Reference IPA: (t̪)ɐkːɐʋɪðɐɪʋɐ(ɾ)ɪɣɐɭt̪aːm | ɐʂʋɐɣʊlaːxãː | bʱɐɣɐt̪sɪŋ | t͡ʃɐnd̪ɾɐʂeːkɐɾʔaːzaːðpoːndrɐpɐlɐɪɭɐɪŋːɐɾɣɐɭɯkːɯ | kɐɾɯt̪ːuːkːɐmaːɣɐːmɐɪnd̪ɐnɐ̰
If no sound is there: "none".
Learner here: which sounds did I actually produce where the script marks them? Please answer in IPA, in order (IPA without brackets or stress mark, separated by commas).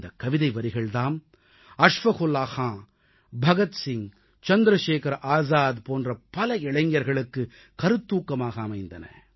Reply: d̪, ɾ